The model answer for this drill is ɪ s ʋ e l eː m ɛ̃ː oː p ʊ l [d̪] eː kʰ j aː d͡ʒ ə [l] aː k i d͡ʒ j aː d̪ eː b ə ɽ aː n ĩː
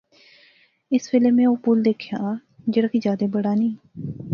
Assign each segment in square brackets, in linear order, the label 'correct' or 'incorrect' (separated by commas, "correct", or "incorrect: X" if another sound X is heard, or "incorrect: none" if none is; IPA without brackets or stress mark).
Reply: correct, incorrect: ɽ